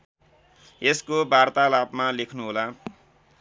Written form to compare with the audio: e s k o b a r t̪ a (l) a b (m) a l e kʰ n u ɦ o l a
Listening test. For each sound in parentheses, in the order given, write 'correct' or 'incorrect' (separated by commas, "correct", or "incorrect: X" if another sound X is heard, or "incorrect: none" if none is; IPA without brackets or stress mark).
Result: correct, correct